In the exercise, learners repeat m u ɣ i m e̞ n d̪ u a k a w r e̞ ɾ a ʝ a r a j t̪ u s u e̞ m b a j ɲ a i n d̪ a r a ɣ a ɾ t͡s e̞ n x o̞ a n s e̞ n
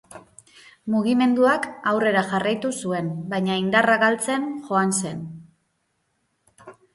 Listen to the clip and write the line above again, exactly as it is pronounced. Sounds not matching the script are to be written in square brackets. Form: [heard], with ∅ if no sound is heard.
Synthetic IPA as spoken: m u ɣ i m e̞ n d̪ u a k a w r e̞ ɾ a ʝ a r a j t̪ u s u e̞ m b a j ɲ a i n d̪ a r a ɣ a [l] t͡s e̞ n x o̞ a n s e̞ n